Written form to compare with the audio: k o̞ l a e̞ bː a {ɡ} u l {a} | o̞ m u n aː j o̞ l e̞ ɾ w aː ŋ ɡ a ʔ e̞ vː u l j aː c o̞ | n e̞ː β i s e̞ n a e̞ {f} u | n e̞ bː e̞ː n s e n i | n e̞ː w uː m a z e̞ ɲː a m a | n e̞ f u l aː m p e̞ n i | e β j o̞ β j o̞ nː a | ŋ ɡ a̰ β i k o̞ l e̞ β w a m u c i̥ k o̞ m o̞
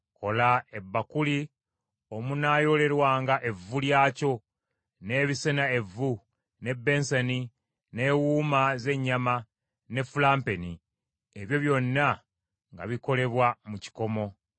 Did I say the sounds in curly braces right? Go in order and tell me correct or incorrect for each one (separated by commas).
incorrect, incorrect, incorrect